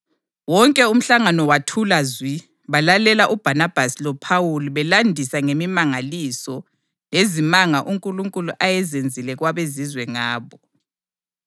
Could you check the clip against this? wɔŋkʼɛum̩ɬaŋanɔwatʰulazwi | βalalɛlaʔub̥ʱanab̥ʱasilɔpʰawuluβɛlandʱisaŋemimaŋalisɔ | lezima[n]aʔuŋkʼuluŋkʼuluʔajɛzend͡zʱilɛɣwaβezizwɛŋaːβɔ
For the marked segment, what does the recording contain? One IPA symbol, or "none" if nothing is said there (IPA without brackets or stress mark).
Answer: ŋ